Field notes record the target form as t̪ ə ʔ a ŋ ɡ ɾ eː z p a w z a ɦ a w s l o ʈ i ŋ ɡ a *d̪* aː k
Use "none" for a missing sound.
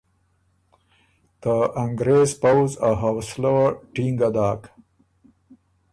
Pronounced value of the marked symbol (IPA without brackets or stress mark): d̪